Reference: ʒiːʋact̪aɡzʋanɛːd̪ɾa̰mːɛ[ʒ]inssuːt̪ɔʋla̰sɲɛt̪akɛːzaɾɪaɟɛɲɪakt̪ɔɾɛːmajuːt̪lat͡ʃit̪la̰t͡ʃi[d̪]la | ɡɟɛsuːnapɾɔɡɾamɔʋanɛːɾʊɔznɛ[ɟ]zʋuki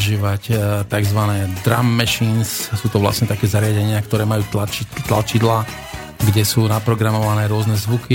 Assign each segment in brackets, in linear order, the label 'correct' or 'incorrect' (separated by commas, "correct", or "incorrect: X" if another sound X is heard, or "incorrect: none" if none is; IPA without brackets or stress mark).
incorrect: ʃ, correct, incorrect: none